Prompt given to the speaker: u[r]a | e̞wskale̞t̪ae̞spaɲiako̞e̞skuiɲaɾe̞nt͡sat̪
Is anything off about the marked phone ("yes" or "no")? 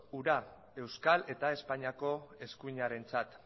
yes